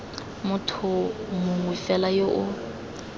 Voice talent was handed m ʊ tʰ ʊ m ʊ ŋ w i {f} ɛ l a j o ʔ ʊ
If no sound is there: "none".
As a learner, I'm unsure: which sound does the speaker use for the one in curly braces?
f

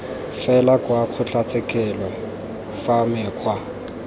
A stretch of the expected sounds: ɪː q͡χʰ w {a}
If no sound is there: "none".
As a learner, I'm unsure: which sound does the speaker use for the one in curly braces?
a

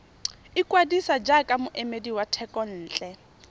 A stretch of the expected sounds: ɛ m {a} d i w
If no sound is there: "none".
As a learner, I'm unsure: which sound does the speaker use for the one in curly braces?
e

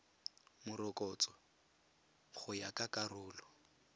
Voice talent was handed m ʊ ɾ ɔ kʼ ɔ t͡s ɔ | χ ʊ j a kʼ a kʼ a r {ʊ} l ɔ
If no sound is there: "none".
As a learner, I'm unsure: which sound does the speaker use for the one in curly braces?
ʊː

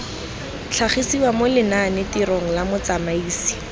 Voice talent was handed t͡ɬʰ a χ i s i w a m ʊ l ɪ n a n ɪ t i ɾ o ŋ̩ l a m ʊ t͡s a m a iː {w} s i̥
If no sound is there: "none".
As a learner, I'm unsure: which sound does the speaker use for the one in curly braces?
none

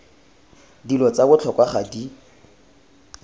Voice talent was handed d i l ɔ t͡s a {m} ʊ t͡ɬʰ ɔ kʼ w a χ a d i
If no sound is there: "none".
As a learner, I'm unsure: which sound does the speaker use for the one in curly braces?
b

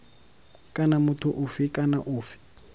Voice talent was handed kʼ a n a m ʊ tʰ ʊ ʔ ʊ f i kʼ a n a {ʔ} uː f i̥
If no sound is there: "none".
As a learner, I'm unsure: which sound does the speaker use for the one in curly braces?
ʔ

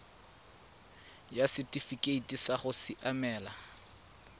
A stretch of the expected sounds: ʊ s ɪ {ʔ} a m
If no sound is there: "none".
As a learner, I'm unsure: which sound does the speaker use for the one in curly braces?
ʔ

